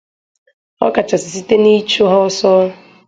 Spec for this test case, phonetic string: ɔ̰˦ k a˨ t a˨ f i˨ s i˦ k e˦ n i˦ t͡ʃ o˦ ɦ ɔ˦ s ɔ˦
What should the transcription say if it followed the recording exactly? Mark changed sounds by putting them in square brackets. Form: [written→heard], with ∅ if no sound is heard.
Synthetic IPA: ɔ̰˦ k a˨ [t→t͡ʃ] a˨ [f→s] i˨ s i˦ [k→t] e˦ n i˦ t͡ʃ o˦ ɦ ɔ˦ s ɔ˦